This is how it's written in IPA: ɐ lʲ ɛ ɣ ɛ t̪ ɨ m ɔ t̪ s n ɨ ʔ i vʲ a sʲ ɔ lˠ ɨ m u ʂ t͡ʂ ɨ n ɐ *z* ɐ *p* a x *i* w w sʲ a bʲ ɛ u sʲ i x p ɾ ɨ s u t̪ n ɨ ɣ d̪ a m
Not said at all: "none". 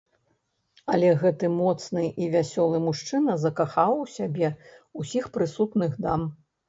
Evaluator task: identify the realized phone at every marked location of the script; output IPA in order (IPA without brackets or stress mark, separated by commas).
z, k, a